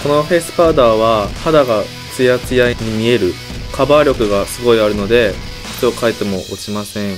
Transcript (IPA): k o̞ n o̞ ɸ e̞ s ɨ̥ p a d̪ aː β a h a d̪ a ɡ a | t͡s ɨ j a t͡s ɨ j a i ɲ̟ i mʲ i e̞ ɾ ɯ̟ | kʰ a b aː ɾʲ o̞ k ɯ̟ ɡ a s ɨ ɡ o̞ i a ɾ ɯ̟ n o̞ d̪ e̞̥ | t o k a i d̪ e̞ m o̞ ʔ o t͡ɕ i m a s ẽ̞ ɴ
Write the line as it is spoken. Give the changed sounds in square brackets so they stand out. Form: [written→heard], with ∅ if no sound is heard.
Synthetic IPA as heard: k o̞ n o̞ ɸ e̞ s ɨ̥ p a d̪ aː β a h a d̪ a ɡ a | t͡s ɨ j a t͡s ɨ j a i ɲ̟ i mʲ i e̞ ɾ ɯ̟ | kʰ a b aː ɾʲ o̞ k ɯ̟ ɡ a s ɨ ɡ o̞ i a ɾ ɯ̟ n o̞ d̪ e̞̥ | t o k a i [d̪→t̪] e̞ m o̞ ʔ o t͡ɕ i m a s ẽ̞ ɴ